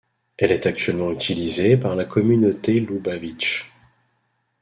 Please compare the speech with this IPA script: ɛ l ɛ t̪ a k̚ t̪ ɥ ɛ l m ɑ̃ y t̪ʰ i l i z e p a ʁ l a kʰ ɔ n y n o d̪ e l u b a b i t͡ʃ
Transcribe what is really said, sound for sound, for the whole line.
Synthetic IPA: ɛ l ɛ t̪ a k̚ t̪ ɥ ɛ l m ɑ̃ y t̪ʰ i l i z e p a ʁ l a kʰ ɔ m y n o t̪ e l u b a v i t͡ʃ